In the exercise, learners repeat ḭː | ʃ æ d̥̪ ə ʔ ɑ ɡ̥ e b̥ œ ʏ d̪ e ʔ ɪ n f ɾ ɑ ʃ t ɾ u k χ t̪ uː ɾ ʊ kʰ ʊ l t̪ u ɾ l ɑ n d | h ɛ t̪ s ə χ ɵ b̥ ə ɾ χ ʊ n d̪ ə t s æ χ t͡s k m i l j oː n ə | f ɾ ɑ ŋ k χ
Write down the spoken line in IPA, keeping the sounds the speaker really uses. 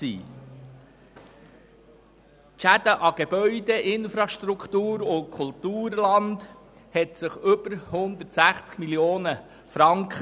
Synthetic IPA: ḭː | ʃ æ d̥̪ ə ʔ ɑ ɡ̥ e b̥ œ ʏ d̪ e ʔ ɪ n f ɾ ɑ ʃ t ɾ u k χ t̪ uː ɾ ʊ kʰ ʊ l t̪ uː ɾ l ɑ n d | h ɛ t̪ s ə χ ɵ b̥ ə ɾ h ʊ n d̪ ə t s æ χ t͡s k m i l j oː n ə | f ɾ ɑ ŋ k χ